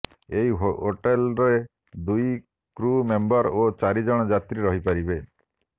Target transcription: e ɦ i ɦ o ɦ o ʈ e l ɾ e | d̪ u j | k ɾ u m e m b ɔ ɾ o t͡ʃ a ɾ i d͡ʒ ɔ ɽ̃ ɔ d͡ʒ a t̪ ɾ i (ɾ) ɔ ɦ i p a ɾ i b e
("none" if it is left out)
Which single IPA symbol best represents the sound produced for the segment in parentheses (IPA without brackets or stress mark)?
ɾ